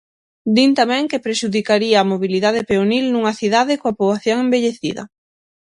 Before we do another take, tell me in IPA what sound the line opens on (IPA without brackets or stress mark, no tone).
d̪